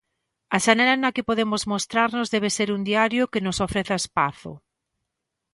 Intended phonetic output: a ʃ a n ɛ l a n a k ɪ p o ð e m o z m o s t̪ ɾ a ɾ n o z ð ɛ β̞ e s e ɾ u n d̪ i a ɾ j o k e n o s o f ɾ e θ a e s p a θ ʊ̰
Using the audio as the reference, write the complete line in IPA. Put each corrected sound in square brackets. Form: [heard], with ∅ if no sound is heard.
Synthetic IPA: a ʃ a n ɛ l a n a k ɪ p o ð e m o z m o s t̪ ɾ a ɾ n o z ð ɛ β̞ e s e ɾ u n d̪ i a ɾ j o k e n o s o f ɾ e θ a e s p a θ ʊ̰

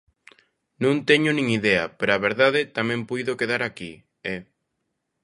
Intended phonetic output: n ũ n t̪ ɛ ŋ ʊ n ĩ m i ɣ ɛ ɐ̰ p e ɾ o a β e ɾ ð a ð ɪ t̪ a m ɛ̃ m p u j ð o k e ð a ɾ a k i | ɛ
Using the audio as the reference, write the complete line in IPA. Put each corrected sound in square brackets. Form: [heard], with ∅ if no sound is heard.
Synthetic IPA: n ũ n t̪ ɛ [ɲ] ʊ n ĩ [ŋ] i [ð] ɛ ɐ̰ p e ɾ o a β e ɾ ð a ð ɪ t̪ a m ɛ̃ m p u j ð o k e ð a ɾ a k i | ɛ

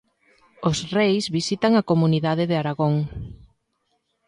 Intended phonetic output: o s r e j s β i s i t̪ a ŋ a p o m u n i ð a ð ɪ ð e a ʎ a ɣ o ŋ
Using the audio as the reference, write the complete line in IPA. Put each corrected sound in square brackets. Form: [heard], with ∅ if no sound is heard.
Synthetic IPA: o s r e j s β i s i t̪ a ŋ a [k] o m u n i ð a ð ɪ ð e a [ɾ] a ɣ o ŋ

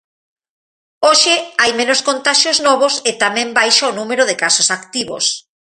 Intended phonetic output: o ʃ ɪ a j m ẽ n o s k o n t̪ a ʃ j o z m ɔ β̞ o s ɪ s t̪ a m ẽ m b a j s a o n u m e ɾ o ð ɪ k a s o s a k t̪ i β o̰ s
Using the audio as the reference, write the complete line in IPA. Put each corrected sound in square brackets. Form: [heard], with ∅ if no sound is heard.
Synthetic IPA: o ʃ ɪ a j m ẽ n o s k o n t̪ a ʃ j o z [n] ɔ β̞ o s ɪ [∅] t̪ a m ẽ m b a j [ʃ] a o n u m e ɾ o ð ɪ k a s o s a k t̪ i β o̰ s

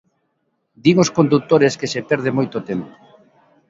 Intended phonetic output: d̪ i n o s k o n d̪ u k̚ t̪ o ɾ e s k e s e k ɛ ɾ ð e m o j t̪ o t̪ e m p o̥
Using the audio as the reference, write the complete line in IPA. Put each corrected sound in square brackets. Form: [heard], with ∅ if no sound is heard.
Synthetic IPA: d̪ i [ŋ] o s k o n d̪ u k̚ t̪ o ɾ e s k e s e [p] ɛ ɾ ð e m o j t̪ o t̪ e m p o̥

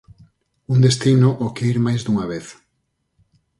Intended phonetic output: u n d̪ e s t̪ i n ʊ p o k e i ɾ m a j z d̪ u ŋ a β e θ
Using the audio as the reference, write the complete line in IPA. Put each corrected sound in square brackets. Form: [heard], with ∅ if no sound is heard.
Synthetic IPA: u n d̪ e s t̪ i n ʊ [ʔ] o k e i ɾ m a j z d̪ u ŋ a β e θ

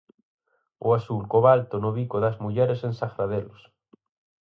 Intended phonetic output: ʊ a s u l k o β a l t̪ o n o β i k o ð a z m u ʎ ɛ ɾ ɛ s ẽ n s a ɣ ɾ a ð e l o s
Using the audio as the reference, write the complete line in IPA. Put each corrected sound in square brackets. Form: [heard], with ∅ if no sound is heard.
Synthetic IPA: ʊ a s u l k o β a l t̪ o n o β i k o ð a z m u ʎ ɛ ɾ [e] s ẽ n s a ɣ ɾ a ð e l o s

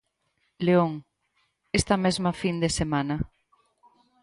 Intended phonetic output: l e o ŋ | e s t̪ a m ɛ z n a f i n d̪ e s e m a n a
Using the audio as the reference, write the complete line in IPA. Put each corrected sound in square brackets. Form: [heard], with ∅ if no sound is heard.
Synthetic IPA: l e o ŋ | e s t̪ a m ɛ z [m] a f i n d̪ e s e m a n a

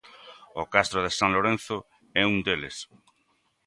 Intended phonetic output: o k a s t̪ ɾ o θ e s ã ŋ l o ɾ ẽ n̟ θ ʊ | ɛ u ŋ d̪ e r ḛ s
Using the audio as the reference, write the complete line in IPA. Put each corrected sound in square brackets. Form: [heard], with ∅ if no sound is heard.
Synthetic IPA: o k a s t̪ ɾ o [ð] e s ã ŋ l o ɾ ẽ n̟ θ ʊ | ɛ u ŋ d̪ e [l] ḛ s

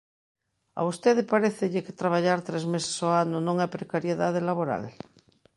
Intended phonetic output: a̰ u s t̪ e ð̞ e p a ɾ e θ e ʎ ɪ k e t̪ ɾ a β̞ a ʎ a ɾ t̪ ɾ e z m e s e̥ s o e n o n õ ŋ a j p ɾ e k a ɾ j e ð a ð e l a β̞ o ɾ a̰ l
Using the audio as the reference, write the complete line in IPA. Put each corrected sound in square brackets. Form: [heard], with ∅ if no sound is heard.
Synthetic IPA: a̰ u s t̪ e ð̞ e p a ɾ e θ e ʎ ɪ k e t̪ ɾ a β̞ a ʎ a ɾ t̪ ɾ e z m e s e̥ s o [a] n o n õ ŋ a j p ɾ e k a ɾ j e ð a ð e l a β̞ o ɾ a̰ l

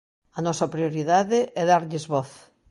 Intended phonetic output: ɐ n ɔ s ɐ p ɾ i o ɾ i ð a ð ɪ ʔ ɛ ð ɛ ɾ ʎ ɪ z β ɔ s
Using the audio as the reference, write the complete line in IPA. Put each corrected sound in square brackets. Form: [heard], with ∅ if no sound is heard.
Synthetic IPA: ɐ n ɔ s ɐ p ɾ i o ɾ i ð a ð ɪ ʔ ɛ ð [a] ɾ ʎ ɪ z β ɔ [θ]

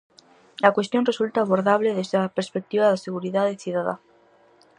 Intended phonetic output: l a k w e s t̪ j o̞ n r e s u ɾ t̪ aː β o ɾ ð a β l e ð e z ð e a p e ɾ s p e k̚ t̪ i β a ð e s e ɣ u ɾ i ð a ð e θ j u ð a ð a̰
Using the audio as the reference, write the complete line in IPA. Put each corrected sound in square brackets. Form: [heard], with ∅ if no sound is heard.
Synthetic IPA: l a k w e s t̪ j o̞ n r e s u [l] t̪ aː β o ɾ ð a β l e ð e z ð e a p e ɾ s p e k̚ t̪ i β a ð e s e ɣ u ɾ i ð a ð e θ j u ð a ð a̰

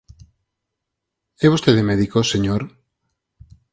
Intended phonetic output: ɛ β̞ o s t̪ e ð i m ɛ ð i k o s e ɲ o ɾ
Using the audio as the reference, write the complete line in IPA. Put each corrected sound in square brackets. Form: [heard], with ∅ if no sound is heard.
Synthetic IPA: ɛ β̞ o s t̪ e ð [e] m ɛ ð i k o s e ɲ o ɾ

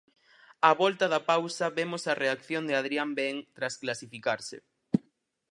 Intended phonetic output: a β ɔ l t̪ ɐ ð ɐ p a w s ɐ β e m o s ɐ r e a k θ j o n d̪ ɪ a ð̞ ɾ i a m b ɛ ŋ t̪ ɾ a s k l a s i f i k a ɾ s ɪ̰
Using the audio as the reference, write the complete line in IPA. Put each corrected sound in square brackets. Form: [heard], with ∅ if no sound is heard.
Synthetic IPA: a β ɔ l t̪ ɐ ð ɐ p a w s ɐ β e m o s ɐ r e a k θ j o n d̪ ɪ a ð̞ ɾ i a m b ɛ ŋ t̪ ɾ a s k l a s i f i k a ɾ s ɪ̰

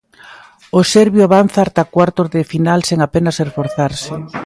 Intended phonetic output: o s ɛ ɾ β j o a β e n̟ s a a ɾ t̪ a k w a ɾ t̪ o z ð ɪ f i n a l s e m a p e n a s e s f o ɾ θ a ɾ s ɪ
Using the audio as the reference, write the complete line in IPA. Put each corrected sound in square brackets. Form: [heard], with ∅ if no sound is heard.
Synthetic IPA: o s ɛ ɾ β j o a β [a] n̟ [θ] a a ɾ t̪ a k w a ɾ t̪ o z ð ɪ f i n a l s e [ŋ] a p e n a s e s f o ɾ θ a ɾ s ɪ

